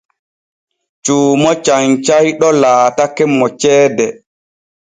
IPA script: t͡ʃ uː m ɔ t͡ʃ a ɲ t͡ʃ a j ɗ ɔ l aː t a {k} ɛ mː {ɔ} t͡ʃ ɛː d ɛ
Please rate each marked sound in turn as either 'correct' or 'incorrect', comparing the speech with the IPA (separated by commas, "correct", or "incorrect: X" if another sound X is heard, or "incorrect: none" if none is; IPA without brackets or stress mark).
correct, correct